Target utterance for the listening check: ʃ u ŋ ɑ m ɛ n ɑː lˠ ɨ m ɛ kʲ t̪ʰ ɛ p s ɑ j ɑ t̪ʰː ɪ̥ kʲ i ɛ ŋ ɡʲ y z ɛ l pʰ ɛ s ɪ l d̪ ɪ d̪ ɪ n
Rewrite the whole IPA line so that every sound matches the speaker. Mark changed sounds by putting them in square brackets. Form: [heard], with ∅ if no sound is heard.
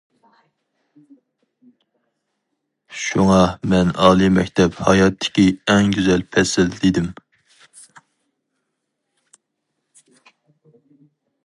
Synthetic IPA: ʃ u ŋ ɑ m ɛ n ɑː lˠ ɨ m ɛ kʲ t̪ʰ ɛ p [h] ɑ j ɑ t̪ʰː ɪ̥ kʲ i ɛ ŋ ɡʲ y z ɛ l pʰ ɛ s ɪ l d̪ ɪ d̪ ɪ [m]